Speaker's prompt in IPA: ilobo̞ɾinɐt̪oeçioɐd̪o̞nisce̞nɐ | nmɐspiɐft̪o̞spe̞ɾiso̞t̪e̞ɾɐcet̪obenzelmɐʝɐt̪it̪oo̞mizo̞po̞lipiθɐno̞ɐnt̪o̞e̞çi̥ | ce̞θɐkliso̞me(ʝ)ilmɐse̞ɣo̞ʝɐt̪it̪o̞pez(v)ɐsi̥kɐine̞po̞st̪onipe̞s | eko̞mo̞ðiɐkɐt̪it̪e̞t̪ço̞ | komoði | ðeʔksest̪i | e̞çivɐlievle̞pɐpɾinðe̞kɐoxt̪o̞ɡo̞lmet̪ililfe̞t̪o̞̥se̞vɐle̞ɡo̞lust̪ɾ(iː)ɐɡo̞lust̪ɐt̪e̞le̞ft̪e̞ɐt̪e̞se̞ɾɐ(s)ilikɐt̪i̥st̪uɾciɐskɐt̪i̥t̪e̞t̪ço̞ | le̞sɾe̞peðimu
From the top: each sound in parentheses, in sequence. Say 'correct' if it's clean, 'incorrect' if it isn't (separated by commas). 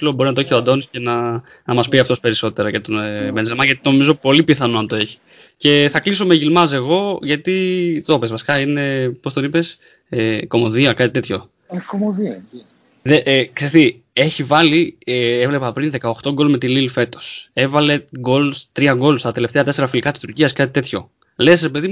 correct, correct, incorrect, incorrect